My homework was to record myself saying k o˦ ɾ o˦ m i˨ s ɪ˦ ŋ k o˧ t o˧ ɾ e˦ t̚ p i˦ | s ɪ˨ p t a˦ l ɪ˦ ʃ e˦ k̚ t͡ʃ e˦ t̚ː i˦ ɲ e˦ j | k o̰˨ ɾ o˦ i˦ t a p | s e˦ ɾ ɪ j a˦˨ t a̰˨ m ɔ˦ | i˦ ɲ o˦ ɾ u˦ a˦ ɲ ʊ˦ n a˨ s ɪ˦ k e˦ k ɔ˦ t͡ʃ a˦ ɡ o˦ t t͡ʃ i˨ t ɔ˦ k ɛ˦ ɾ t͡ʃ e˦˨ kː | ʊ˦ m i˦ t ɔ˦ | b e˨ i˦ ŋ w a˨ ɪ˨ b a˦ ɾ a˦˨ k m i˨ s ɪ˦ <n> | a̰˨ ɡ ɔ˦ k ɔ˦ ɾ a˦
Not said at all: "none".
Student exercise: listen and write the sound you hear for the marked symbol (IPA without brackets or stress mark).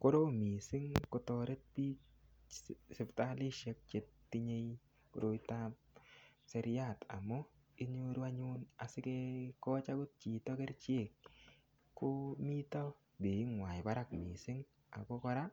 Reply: ŋ